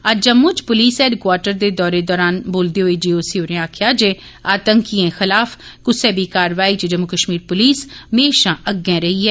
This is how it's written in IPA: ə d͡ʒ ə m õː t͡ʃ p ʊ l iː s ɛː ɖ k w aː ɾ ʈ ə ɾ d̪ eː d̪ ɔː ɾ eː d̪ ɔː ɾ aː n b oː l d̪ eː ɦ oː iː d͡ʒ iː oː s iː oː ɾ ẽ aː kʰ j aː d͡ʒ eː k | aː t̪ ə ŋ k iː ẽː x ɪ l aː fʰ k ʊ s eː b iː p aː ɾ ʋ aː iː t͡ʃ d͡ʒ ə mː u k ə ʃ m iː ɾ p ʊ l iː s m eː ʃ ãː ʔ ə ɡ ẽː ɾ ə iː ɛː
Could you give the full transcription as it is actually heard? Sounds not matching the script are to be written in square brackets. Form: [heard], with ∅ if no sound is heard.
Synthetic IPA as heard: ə d͡ʒ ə m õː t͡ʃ p ʊ l iː s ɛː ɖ k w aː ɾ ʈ ə ɾ d̪ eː d̪ ɔː ɾ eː d̪ ɔː ɾ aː n b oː l d̪ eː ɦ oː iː d͡ʒ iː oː s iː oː ɾ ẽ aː kʰ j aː d͡ʒ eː [∅] | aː t̪ ə ŋ k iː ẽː x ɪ l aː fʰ k ʊ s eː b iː [k] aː ɾ ʋ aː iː t͡ʃ d͡ʒ ə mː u k ə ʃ m iː ɾ p ʊ l iː s m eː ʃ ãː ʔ ə ɡ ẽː ɾ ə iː ɛː